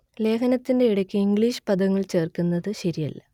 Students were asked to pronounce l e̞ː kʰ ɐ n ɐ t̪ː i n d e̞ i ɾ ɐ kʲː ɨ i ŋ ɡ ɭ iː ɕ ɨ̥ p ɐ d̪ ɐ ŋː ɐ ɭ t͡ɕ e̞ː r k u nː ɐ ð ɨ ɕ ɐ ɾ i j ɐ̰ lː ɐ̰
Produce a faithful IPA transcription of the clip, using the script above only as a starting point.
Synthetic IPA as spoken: l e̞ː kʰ ɐ n ɐ t̪ː i n d e̞ i ɽ ɐ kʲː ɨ i ŋ ɡ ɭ iː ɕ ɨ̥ p ɐ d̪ ɐ ŋː ɐ ɭ t͡ɕ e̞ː r k u nː ɐ ð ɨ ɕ ɐ ɾ i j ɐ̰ lː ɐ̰